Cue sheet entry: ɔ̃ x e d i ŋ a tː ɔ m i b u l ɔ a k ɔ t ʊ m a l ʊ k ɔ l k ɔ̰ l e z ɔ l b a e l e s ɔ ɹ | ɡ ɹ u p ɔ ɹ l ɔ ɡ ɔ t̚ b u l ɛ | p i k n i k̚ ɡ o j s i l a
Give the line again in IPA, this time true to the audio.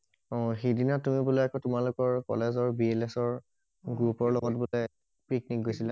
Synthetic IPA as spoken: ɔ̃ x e d i n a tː u m i b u l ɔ a k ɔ t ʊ m a l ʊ k ɔ ɹ k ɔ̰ l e z ɔ ɹ b i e l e s ɔ ɹ | ɡ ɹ u p ɔ ɹ l ɔ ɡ ɔ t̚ b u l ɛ | p i k n i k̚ ɡ o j s i l a